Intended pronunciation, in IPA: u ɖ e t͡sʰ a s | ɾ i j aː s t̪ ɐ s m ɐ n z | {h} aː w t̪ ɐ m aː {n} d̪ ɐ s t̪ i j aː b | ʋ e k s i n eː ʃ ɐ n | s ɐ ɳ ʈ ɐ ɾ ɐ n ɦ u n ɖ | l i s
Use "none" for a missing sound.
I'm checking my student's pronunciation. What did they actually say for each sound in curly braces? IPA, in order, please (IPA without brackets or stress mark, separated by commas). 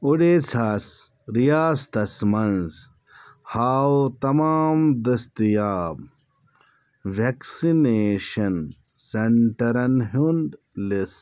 h, m